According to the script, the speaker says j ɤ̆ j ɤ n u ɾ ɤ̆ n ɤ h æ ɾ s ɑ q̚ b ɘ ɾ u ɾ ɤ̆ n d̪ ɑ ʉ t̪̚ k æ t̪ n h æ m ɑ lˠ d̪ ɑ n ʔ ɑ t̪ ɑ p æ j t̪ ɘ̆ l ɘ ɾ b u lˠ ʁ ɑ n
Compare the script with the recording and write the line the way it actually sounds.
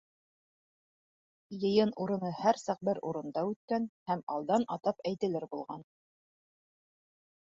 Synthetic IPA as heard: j ɤ̆ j ɤ n u ɾ ɤ̆ n ɤ h æ ɾ s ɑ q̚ b ɘ ɾ u ɾ ɤ̆ n d̪ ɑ ʉ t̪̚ k æ n h æ m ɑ lˠ d̪ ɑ n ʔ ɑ t̪ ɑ p æ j t̪ ɘ̆ l ɘ ɾ b u lˠ ʁ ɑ n